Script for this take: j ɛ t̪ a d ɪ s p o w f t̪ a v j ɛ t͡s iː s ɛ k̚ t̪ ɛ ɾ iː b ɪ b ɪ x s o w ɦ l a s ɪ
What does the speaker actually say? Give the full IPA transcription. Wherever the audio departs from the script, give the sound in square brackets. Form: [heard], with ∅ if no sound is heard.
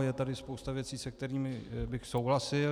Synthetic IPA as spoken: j ɛ t̪ a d ɪ s p o w [s] t̪ a v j ɛ t͡s iː s ɛ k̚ t̪ ɛ ɾ iː [m] ɪ b ɪ x s o w ɦ l a s ɪ